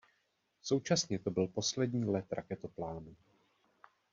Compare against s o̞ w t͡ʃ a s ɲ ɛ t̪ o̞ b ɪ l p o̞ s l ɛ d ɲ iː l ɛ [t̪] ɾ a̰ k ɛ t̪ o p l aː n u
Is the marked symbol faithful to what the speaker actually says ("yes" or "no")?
yes